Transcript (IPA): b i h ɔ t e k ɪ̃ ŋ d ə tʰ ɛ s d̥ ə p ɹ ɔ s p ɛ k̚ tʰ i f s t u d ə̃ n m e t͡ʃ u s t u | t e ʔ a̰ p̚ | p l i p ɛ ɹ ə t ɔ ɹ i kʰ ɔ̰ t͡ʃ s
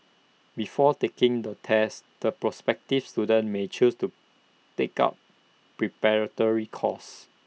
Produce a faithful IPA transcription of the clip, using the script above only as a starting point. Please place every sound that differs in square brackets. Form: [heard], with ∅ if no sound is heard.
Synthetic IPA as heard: b i [f] ɔ t e k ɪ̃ ŋ d ə tʰ ɛ s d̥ ə p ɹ ɔ s p ɛ k̚ [t] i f s t u d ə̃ n m e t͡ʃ u s t u | t e [k] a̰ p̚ | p [ɹ] i p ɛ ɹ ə t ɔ ɹ i kʰ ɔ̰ [∅] s